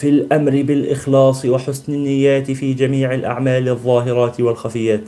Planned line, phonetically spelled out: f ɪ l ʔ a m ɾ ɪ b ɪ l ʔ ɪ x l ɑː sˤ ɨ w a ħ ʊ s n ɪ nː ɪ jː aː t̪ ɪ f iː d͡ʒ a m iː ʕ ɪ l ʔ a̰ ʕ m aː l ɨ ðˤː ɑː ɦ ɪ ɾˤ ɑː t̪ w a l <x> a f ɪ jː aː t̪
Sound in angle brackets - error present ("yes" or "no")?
no